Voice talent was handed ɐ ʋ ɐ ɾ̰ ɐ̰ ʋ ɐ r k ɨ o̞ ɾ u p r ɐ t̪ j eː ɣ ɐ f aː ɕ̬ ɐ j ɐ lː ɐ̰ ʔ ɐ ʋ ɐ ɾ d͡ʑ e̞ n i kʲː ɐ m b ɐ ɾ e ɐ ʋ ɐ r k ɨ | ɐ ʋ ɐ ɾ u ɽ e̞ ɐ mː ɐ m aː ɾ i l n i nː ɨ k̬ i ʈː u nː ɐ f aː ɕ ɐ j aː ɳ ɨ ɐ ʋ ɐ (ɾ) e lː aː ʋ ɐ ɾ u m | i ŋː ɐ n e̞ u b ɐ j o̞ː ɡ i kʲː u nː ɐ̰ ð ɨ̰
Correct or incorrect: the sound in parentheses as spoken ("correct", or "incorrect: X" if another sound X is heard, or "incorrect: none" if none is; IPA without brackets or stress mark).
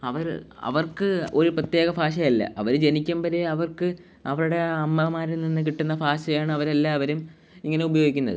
correct